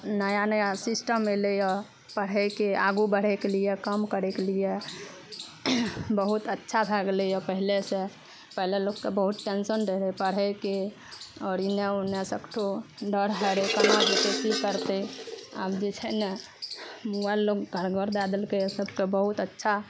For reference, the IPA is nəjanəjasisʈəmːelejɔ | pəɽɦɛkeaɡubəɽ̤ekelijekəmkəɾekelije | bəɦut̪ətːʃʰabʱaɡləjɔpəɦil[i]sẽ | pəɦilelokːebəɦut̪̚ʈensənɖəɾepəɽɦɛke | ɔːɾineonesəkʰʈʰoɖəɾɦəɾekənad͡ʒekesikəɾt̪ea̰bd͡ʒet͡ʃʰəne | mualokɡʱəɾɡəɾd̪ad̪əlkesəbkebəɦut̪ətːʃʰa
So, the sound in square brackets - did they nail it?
no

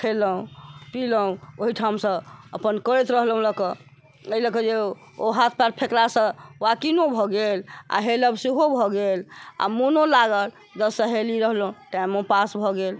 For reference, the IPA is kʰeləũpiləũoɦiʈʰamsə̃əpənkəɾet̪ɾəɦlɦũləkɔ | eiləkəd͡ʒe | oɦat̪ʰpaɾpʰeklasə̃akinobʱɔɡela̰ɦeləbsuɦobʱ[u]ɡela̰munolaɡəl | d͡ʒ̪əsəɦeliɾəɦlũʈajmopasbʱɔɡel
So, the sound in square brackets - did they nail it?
no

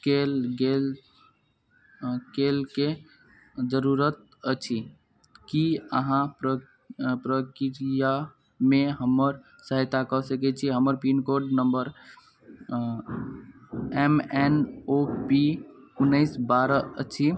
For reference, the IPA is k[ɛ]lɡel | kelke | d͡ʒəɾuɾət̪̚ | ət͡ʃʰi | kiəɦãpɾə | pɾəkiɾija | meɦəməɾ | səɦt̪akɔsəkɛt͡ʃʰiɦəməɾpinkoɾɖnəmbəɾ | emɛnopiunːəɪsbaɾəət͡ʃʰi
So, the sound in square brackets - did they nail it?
no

